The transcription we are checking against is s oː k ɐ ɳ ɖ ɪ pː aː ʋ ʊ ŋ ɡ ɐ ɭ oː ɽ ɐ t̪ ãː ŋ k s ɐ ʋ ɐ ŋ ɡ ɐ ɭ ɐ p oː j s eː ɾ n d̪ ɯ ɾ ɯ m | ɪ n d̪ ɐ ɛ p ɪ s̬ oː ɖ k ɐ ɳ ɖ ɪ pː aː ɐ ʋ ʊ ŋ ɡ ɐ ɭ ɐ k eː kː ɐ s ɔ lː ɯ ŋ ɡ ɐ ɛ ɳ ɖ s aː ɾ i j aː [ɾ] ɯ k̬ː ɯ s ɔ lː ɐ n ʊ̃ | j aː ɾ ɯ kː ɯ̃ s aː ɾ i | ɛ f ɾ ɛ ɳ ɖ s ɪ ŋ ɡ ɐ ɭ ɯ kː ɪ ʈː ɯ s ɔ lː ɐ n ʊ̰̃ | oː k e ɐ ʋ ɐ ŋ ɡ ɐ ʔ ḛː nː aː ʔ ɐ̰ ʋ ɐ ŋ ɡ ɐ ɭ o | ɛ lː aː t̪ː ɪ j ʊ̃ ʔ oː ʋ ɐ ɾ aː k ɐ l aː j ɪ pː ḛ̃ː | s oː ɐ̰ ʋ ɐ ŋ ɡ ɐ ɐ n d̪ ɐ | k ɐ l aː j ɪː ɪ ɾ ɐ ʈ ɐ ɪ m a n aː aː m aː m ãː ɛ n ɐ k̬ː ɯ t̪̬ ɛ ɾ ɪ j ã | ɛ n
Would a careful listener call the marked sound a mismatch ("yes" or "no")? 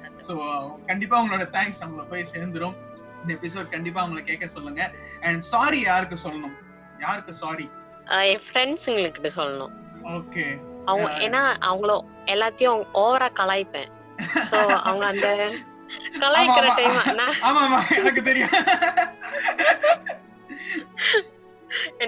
no